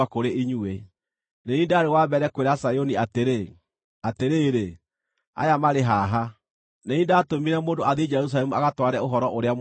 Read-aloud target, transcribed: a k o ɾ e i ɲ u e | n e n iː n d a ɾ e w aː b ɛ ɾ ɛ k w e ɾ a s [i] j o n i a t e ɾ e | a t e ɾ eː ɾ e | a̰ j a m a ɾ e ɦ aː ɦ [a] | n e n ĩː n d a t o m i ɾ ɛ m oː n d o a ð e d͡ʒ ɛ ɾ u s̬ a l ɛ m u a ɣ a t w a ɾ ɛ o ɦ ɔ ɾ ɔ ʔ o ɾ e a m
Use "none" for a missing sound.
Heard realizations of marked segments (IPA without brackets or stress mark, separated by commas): a, a